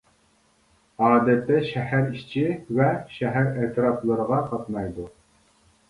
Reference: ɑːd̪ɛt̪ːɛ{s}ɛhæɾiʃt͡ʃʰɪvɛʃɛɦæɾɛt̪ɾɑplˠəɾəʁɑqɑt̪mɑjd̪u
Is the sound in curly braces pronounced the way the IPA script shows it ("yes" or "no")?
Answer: no